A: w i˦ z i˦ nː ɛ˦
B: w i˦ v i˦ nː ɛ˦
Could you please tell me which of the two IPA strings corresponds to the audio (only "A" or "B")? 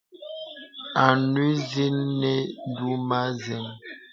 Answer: A